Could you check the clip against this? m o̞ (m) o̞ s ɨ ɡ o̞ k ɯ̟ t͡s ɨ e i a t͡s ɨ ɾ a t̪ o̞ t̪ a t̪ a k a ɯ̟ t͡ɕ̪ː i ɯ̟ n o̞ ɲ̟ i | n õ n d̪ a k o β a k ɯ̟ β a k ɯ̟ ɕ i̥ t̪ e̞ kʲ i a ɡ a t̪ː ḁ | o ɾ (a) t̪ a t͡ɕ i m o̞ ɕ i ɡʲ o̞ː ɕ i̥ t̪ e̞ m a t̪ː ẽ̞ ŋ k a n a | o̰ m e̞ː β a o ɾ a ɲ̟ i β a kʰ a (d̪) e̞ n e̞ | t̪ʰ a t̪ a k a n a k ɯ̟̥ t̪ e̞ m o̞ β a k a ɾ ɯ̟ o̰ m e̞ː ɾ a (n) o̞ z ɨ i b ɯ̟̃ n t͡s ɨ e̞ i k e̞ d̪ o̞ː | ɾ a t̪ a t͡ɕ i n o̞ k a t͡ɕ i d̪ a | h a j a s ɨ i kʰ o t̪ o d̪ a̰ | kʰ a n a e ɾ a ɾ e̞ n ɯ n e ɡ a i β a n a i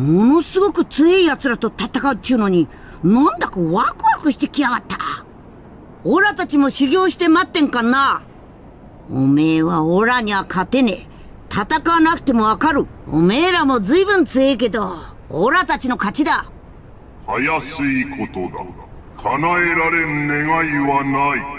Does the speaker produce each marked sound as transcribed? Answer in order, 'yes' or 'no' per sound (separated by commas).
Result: no, yes, no, no